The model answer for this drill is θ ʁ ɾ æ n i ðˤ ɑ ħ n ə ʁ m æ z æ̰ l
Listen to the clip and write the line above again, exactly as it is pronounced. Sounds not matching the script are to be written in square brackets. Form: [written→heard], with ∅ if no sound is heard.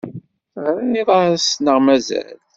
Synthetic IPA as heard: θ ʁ ɾ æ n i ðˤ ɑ [ħ→s] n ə ʁ m æ z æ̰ l